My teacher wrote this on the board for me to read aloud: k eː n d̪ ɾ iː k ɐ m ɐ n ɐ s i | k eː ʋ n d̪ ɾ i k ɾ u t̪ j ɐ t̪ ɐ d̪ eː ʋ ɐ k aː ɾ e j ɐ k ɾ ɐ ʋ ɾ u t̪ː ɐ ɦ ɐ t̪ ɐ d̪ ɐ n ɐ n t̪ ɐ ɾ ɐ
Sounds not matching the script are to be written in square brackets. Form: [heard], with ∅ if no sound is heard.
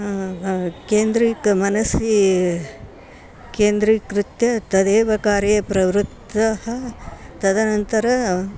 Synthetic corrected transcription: k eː n d̪ ɾ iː k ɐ m ɐ n ɐ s i | k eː [∅] n d̪ ɾ i k ɾ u t̪ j ɐ t̪ ɐ d̪ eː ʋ ɐ k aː ɾ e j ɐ [p] ɾ ɐ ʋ ɾ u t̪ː ɐ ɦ ɐ t̪ ɐ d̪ ɐ n ɐ n t̪ ɐ ɾ ɐ